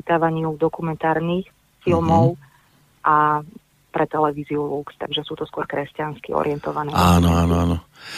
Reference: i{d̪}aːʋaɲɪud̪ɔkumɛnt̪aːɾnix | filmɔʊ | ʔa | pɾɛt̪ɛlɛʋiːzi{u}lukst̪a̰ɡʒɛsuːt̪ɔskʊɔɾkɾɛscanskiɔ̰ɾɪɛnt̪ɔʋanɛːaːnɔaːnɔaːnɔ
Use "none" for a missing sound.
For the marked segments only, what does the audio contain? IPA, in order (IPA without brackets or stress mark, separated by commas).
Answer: t̪, u